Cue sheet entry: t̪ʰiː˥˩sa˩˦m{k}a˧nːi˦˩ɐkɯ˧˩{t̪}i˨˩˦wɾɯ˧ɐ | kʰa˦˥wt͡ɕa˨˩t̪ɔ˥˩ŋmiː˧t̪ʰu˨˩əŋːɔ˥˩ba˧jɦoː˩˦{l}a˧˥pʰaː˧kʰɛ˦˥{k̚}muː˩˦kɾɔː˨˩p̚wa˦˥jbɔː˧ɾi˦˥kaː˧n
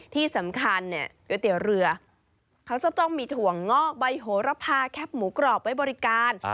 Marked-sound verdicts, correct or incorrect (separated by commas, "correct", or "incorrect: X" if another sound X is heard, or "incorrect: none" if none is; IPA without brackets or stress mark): incorrect: kʰ, correct, incorrect: ɾ, incorrect: p̚